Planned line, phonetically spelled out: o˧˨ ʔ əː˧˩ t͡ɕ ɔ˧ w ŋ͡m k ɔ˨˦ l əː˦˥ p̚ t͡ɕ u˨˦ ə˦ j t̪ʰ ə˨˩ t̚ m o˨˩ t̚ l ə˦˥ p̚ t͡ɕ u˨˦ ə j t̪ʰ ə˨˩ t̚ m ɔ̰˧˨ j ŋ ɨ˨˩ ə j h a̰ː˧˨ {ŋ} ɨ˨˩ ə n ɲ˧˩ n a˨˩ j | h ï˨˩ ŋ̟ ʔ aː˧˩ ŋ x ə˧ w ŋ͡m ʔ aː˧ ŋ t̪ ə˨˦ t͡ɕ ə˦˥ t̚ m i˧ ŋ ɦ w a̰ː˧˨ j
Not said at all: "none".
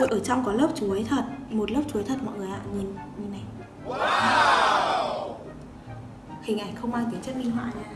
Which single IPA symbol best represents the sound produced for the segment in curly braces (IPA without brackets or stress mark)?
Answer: ŋ